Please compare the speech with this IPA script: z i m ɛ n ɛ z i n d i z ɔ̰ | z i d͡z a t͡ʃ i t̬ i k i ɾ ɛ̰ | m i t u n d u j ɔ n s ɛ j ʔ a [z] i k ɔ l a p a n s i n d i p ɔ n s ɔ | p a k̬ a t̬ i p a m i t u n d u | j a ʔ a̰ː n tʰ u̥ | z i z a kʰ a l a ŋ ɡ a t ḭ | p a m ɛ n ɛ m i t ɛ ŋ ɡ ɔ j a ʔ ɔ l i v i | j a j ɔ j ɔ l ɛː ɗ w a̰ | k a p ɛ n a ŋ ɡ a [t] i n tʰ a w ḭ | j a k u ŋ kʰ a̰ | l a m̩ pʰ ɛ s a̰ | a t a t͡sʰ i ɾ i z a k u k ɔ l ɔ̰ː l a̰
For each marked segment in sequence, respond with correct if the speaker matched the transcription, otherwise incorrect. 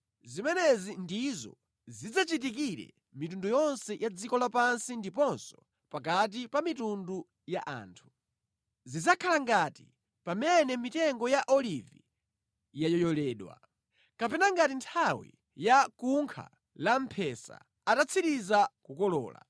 incorrect, correct

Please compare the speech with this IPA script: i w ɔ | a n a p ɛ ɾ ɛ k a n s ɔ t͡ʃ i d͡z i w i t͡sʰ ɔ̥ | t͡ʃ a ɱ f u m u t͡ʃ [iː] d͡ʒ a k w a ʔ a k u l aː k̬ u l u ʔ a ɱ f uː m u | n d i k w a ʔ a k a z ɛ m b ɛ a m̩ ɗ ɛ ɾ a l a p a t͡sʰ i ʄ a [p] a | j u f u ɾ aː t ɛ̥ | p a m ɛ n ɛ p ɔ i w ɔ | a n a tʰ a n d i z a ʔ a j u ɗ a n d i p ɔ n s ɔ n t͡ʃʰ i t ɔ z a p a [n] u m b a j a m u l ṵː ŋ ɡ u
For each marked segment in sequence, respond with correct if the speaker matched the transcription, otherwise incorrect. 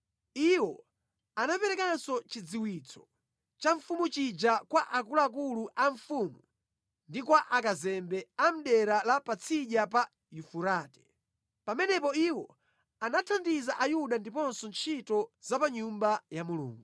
incorrect, correct, incorrect

